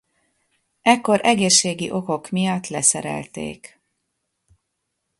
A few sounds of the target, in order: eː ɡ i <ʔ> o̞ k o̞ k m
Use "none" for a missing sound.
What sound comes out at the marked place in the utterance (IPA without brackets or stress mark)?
ʔ